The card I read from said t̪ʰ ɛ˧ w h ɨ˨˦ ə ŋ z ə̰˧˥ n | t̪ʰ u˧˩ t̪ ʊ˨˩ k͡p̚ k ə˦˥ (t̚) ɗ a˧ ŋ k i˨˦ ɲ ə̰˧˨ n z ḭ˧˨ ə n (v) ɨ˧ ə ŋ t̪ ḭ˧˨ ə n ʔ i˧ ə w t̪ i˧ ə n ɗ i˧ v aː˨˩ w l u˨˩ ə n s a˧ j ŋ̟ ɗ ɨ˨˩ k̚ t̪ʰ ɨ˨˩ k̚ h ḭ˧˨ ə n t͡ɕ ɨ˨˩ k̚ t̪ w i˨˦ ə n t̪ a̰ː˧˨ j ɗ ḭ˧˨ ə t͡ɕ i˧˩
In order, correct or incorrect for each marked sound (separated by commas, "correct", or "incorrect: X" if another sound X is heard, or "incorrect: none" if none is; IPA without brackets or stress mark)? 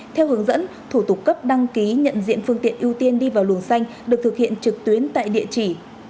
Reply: incorrect: p̚, incorrect: f